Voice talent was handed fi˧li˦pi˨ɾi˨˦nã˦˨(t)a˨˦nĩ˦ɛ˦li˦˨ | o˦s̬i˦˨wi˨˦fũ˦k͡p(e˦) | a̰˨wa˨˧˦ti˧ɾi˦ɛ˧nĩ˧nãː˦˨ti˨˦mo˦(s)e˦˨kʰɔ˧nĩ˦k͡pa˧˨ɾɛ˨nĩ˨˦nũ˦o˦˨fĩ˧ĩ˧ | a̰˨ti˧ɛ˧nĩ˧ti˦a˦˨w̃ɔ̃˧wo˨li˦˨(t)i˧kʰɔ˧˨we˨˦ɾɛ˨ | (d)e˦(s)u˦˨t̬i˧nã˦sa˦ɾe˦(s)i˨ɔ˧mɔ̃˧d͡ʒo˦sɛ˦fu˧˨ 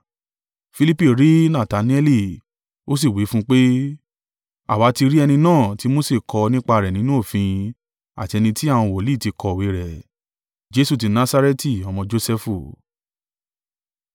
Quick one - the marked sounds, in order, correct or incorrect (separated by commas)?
correct, correct, correct, correct, incorrect, correct, incorrect